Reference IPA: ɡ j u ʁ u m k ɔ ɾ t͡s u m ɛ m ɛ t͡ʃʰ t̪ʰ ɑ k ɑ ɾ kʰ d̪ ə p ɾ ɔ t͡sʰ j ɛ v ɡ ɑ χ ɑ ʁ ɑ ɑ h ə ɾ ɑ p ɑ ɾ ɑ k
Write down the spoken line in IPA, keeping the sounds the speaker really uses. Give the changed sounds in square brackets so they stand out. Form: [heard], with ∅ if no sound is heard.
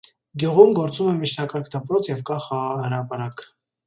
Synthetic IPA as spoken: ɡ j u ʁ u m [ɡ] ɔ ɾ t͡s u m ɛ m [i] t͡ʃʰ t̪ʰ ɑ k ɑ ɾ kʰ d̪ ə p ɾ ɔ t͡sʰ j ɛ v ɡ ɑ χ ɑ ʁ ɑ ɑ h ə ɾ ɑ p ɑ ɾ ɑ k